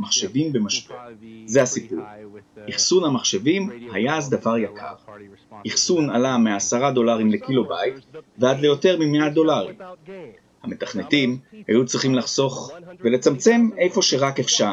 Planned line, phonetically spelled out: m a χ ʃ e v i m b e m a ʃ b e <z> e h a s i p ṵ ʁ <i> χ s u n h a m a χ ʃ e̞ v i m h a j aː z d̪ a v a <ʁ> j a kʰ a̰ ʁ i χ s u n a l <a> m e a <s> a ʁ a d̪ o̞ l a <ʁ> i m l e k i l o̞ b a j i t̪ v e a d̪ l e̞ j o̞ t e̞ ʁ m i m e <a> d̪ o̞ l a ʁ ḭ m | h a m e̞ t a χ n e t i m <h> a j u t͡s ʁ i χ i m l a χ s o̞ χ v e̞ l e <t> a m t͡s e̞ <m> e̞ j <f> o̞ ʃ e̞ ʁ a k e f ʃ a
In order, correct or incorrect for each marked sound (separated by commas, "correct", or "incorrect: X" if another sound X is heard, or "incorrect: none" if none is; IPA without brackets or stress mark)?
correct, correct, correct, correct, correct, correct, correct, correct, incorrect: t͡s, correct, correct